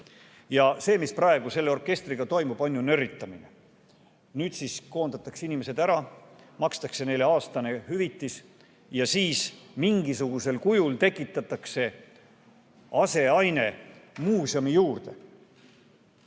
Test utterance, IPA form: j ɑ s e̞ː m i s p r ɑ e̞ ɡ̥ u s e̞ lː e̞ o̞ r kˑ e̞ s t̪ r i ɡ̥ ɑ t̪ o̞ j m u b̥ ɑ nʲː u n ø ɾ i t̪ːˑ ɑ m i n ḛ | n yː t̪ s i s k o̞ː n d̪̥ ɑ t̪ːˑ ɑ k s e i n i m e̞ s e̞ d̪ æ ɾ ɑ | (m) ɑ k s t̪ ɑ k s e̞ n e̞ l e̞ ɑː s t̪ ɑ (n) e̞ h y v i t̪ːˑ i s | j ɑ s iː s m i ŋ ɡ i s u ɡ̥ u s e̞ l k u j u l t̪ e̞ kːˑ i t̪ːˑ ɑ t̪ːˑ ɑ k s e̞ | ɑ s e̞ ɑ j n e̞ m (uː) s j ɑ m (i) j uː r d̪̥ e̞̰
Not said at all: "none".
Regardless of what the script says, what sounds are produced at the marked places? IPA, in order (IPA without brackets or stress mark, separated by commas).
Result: m, n, uː, i